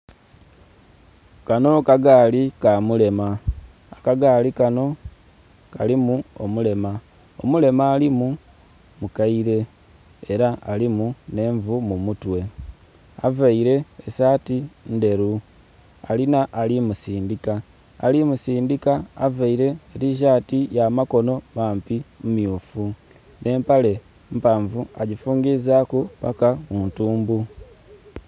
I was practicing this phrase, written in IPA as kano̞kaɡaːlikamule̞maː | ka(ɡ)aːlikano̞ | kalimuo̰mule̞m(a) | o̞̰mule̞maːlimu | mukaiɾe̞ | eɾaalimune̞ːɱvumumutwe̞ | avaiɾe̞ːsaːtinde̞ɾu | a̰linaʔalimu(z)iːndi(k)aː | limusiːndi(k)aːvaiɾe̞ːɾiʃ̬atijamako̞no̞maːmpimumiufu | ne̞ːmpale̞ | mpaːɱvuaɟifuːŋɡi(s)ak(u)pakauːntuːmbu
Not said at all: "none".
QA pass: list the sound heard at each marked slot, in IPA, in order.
ɡ, a, s, k, k, z, u

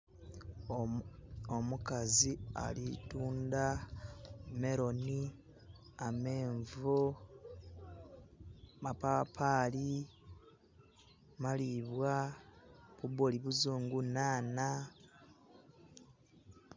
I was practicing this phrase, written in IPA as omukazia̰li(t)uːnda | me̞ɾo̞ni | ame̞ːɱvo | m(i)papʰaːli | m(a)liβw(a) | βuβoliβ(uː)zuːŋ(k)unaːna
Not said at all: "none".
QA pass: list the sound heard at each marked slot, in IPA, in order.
t, a, a, a, u, ɡ

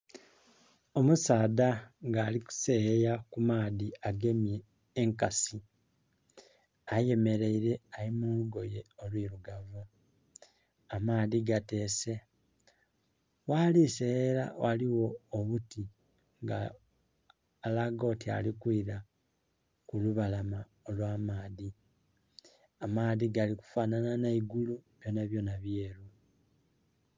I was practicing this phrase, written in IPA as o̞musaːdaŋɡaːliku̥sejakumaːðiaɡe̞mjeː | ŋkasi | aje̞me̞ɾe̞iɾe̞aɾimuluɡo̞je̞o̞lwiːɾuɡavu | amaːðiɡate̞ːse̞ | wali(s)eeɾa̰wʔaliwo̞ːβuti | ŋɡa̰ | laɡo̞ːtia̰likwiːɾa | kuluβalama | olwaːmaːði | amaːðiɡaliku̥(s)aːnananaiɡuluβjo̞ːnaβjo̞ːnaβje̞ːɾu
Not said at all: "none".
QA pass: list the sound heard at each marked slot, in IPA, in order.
s, f

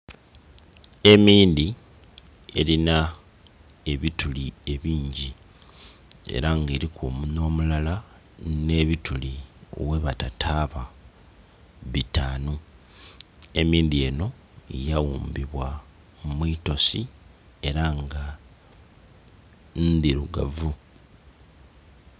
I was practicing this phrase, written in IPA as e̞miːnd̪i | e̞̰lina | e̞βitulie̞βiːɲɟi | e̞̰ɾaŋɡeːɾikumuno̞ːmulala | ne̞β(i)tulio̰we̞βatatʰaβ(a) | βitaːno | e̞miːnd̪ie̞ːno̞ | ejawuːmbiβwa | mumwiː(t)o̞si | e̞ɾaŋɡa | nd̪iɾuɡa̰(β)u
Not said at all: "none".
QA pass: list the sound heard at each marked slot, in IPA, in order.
i, a, t, v

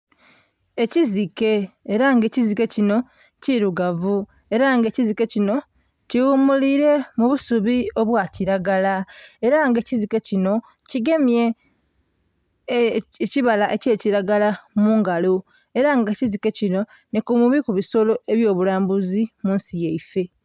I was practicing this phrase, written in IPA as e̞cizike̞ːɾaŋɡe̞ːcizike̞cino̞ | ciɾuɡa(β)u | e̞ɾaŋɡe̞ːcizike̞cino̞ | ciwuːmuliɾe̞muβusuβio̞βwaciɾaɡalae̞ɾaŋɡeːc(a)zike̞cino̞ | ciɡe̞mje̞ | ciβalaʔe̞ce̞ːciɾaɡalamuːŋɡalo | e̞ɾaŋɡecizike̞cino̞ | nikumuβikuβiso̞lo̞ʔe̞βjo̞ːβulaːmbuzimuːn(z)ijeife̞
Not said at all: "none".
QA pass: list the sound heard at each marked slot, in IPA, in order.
v, i, s

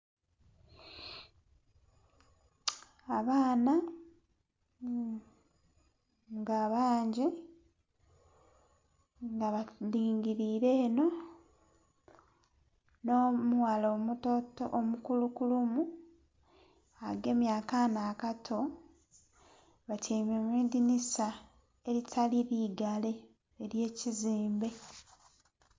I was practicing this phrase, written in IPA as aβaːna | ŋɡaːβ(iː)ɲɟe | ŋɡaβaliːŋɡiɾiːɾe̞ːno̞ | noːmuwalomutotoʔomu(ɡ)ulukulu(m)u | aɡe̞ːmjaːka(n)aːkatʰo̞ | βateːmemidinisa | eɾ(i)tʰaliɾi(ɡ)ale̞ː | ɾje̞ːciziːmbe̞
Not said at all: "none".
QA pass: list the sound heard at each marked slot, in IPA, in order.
aː, k, m, n, i, ɡ

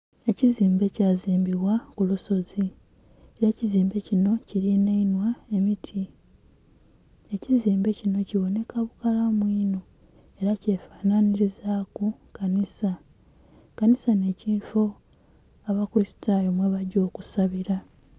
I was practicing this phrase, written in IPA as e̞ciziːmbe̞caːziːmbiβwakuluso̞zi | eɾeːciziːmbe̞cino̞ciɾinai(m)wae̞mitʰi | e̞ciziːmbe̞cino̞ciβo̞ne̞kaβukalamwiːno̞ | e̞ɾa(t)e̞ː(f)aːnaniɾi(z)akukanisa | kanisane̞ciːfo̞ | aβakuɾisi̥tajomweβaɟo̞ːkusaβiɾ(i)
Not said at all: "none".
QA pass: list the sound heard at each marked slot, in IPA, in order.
n, c, f, z, a

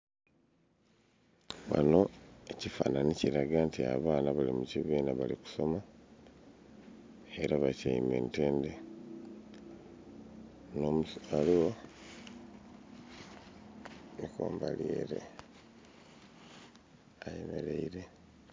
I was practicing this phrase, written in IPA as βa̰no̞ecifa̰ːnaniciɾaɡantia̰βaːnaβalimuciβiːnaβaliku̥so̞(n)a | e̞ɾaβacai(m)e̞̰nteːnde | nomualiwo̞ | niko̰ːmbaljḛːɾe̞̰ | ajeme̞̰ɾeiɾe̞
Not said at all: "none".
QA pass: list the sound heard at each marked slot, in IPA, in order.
m, m

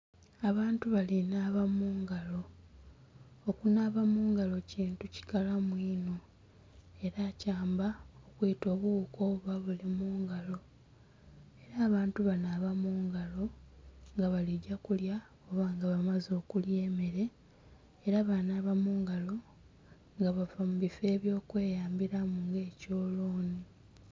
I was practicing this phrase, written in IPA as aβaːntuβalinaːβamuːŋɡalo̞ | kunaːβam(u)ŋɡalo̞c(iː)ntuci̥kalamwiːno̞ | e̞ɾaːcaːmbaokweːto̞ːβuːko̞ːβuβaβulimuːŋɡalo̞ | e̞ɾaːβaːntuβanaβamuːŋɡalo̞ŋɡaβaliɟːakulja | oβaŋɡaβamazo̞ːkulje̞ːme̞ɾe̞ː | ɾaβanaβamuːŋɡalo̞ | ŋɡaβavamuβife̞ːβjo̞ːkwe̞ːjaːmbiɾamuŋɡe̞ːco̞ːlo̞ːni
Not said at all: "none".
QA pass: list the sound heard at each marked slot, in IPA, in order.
uː, iː

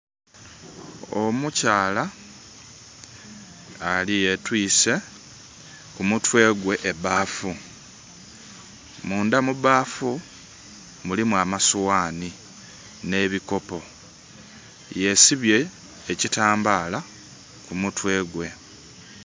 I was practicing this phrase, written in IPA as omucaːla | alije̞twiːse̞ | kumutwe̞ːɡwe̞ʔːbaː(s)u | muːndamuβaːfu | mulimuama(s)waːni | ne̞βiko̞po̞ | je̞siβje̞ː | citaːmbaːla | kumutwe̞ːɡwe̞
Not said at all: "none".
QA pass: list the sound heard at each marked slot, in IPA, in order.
f, s

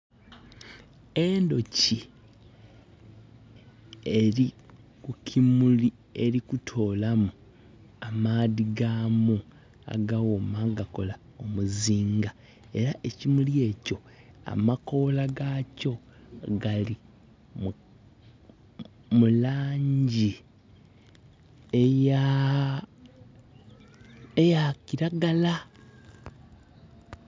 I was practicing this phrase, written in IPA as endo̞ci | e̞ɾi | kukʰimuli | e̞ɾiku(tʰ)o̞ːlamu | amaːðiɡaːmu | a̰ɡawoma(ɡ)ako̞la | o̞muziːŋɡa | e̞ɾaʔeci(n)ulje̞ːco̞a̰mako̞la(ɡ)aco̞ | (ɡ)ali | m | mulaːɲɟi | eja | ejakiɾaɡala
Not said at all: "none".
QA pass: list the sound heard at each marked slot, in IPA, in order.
tʰ, ɡ, m, ɡ, ɡ

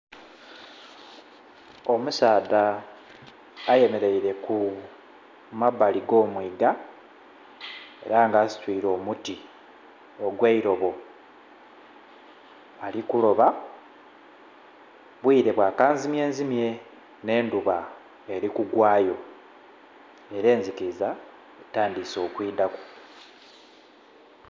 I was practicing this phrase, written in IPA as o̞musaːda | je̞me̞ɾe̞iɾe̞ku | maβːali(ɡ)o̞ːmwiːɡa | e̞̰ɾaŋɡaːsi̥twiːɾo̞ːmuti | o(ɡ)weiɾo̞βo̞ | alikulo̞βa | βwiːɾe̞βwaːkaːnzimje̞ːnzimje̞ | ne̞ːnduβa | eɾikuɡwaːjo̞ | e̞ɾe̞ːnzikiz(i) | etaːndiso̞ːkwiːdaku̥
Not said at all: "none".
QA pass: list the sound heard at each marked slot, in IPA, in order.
ɡ, ɡ, a

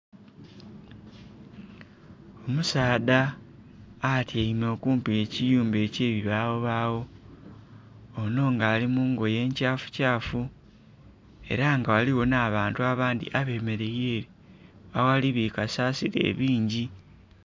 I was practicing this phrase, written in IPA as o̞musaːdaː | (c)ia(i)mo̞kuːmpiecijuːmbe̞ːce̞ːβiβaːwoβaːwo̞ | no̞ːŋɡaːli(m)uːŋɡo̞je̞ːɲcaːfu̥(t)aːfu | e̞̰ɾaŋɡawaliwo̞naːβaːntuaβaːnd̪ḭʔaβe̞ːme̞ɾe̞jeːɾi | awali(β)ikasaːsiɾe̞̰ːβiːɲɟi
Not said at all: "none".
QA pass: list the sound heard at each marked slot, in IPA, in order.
t, i, m, c, β

